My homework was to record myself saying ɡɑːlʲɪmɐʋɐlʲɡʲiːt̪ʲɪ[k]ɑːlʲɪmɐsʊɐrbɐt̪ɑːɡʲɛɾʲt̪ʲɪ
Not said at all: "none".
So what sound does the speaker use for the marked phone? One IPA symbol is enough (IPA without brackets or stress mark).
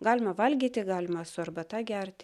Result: ɡ